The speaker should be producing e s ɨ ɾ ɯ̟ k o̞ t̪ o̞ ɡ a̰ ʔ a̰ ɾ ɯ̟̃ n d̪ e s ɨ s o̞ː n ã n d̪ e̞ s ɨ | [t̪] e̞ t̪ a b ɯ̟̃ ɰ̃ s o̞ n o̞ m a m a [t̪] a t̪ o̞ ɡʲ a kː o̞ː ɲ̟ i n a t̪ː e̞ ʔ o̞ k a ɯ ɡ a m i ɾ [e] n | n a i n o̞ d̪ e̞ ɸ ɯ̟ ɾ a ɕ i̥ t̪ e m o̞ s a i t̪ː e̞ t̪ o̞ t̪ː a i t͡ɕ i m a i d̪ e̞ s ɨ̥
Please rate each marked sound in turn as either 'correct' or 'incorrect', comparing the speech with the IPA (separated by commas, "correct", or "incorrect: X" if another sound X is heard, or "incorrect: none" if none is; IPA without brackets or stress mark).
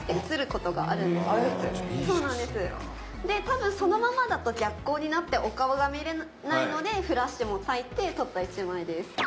incorrect: d̪, incorrect: d̪, correct